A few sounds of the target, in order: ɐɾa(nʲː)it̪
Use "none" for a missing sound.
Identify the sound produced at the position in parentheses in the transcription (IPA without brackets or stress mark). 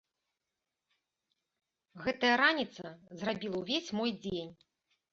nʲ